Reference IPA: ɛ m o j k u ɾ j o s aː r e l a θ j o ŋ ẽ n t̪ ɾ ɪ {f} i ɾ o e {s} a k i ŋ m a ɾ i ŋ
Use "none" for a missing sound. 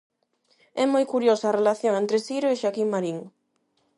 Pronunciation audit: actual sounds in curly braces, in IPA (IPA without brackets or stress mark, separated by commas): s, ʃ